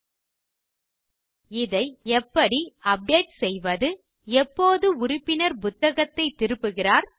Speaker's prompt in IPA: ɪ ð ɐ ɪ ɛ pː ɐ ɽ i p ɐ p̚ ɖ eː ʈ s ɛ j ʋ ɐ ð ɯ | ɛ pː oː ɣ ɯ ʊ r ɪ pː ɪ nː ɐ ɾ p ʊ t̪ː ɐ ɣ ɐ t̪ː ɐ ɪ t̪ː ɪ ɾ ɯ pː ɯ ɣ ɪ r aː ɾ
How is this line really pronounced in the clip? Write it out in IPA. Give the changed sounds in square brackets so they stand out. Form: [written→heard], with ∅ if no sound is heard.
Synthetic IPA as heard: ɪ ð ɐ ɪ ɛ pː ɐ ɽ i [p→∅] ɐ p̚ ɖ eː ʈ s ɛ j ʋ ɐ ð ɯ | ɛ pː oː [ɣ→ð] ɯ ʊ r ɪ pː ɪ [nː→n] ɐ ɾ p ʊ t̪ː ɐ ɣ ɐ t̪ː ɐ ɪ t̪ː ɪ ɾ ɯ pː ɯ ɣ ɪ r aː ɾ